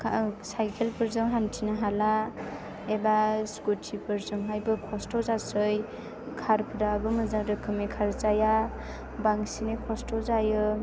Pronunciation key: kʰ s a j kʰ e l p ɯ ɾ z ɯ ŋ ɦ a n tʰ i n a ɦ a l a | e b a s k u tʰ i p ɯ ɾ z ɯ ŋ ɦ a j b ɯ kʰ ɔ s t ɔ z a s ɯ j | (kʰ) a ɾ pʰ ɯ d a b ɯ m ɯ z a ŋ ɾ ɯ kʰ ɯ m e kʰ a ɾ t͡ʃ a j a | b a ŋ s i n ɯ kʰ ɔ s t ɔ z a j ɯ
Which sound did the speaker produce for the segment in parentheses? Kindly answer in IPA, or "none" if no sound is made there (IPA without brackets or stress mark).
kʰ